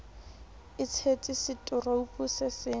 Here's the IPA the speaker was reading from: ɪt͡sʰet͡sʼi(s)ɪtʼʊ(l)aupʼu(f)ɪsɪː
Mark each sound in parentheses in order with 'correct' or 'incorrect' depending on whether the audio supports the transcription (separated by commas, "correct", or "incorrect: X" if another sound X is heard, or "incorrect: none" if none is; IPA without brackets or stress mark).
correct, incorrect: r, incorrect: s